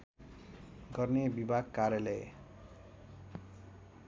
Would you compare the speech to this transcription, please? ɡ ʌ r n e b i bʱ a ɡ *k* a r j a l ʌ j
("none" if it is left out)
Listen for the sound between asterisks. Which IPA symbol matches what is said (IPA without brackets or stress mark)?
k